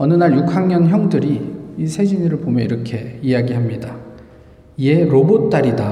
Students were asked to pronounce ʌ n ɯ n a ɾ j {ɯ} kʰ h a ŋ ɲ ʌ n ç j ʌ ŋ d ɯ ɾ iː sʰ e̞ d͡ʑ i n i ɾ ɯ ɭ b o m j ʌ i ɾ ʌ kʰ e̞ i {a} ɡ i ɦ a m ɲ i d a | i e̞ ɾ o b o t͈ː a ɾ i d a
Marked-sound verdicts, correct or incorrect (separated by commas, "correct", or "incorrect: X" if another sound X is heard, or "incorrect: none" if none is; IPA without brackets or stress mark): incorrect: u, correct